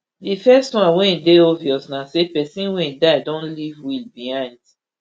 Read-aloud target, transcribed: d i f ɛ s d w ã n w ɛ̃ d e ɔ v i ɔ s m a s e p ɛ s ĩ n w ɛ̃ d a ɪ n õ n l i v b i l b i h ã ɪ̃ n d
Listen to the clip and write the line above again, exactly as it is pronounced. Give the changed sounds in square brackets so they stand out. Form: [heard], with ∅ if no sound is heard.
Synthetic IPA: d i f ɛ s [t] w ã n w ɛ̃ d e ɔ v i ɔ s [n] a s e p ɛ s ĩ n w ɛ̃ d a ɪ [d] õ n l i v [w] i l b i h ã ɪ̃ n d